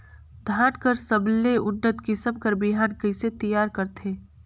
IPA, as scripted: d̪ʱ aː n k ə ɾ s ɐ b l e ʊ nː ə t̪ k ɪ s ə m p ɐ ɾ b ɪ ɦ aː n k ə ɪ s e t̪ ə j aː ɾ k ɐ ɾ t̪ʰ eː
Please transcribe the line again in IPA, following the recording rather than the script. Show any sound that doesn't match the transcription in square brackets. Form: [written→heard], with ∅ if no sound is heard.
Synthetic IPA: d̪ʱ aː n k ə ɾ s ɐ b l e ʊ nː ə t̪ k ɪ s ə m [p→k] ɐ ɾ b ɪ ɦ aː n k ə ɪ s e t̪ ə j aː ɾ k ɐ ɾ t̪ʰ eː